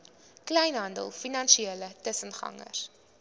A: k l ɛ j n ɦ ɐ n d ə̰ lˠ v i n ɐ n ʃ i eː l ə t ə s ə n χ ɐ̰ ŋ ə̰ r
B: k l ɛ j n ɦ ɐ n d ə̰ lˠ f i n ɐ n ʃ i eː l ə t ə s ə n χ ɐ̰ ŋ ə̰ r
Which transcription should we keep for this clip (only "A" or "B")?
B